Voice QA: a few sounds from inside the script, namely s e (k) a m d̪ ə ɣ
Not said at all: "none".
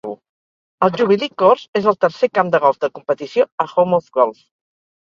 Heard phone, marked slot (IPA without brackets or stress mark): k